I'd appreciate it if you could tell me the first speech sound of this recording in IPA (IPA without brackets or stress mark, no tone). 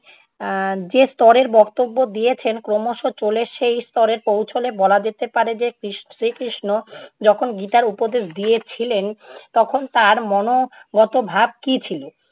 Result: d͡ʑ